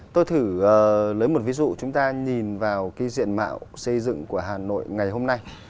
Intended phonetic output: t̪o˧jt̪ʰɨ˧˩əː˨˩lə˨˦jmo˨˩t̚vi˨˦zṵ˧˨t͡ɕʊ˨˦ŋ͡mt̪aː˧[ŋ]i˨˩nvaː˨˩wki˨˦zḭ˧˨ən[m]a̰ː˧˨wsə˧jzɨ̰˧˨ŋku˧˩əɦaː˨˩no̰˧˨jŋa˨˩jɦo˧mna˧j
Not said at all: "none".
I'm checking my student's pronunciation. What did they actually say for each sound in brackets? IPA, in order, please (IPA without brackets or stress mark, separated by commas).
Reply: ɲ, m